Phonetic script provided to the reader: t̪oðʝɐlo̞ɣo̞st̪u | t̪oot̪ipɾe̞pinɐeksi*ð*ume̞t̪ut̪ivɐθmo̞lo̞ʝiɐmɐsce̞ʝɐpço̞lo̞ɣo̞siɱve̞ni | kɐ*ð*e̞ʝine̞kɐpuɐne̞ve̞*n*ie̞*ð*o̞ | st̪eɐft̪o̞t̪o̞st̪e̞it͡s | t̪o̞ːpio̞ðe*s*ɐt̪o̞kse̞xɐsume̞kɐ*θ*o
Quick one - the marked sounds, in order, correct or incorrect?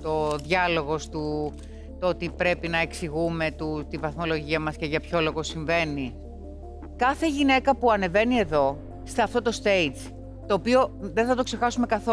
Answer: incorrect: ɣ, incorrect: θ, correct, correct, incorrect: θ, correct

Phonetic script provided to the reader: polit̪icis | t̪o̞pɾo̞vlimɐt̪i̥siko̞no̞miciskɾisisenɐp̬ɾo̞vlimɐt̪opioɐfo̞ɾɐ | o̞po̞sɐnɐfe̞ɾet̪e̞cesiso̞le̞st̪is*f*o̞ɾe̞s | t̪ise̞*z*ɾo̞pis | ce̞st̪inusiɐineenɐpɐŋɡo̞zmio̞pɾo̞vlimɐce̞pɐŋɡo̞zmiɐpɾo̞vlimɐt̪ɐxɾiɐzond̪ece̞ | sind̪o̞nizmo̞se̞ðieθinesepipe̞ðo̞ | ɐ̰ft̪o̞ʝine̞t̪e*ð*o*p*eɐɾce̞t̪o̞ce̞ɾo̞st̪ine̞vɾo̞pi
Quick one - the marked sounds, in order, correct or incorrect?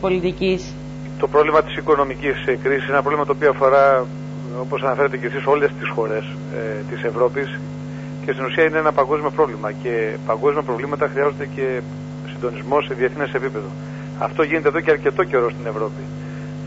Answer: incorrect: x, incorrect: v, correct, incorrect: c

